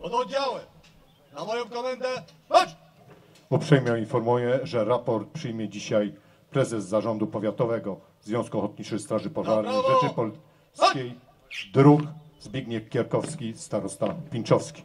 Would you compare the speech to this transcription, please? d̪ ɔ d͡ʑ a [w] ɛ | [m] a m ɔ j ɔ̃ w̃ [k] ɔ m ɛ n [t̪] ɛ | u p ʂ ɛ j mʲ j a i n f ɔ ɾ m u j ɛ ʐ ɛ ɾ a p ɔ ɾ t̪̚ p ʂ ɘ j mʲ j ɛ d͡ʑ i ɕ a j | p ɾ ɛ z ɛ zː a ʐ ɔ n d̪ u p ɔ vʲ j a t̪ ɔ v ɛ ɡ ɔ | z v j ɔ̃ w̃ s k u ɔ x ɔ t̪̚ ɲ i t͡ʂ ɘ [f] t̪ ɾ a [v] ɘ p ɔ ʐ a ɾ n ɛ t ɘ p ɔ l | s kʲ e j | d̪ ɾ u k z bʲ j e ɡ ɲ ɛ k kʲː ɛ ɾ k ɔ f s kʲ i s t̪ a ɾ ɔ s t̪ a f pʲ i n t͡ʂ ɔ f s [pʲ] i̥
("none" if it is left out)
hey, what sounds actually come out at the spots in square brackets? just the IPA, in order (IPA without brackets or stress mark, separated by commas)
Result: w, n, k, d̪, s, ʐ, kʲ